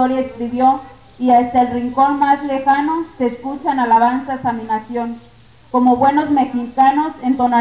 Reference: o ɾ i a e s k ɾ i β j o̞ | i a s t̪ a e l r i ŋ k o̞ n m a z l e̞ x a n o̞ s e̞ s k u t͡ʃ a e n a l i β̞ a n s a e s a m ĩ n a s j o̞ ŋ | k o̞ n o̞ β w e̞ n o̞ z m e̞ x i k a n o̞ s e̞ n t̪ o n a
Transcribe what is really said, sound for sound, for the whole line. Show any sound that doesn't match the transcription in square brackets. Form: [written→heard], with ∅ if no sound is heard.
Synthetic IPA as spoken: o ɾ [i→j] a e s k ɾ i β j o̞ | i a s t̪ a e l r i ŋ k o̞ n m a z l e̞ x a n o̞ s e̞ s k u t͡ʃ a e n a l [i→a] β̞ a n s a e s a m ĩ n a s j o̞ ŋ | k o̞ [n→m] o̞ β w e̞ n o̞ z m e̞ x i k a n o̞ s e̞ n t̪ o n a